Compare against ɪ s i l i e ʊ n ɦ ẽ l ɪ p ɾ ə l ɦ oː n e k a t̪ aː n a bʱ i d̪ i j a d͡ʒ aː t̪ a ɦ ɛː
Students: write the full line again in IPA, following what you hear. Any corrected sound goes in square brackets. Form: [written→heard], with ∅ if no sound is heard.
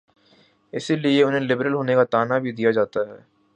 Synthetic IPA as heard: ɪ s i l i e ʊ n ɦ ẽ l ɪ [p→b] ɾ ə l ɦ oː n e k a t̪ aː n a bʱ i d̪ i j a d͡ʒ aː t̪ a ɦ ɛː